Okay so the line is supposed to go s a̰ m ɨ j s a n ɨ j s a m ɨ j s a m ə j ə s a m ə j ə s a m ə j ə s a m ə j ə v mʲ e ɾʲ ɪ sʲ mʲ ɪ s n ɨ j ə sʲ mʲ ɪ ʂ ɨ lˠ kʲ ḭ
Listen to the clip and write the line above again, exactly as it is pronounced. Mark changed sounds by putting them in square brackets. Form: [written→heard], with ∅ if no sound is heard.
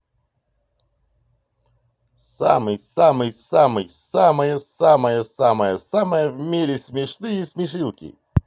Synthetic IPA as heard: s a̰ m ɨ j s a [n→m] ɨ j s a m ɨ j s a m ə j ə s a m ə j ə s a m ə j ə s a m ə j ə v mʲ e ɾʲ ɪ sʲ mʲ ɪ [s→ʂ] n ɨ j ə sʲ mʲ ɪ ʂ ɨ lˠ kʲ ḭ